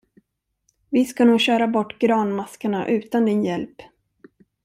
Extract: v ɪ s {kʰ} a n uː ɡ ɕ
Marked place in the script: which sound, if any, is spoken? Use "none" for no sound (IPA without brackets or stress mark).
k